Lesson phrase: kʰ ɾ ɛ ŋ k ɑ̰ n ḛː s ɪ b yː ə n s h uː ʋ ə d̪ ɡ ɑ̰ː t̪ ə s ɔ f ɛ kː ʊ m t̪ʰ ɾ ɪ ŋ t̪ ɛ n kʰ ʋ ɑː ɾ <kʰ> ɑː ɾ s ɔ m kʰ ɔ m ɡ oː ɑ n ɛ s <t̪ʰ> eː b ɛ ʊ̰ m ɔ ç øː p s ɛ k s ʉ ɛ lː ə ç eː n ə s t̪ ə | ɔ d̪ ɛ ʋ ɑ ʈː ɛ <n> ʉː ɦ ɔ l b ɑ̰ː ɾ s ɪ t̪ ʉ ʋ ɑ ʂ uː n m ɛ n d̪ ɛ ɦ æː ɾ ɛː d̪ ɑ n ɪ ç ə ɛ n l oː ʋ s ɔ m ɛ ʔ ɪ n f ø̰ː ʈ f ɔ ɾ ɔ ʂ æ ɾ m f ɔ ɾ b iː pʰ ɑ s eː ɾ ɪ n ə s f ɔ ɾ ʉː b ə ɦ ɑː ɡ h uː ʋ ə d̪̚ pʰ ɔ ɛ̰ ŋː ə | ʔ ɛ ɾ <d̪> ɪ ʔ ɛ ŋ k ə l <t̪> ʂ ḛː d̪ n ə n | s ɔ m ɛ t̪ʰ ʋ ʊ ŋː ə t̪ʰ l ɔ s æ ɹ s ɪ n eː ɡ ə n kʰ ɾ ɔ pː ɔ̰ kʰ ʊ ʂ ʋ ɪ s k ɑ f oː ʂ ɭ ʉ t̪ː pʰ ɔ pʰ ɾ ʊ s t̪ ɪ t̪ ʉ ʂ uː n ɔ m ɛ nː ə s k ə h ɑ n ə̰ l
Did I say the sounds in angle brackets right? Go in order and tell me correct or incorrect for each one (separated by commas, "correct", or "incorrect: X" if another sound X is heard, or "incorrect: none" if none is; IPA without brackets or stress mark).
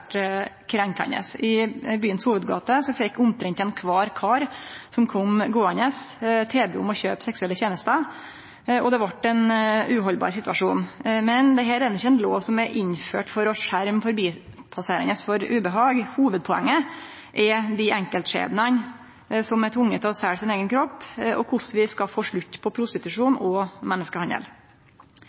correct, correct, correct, correct, correct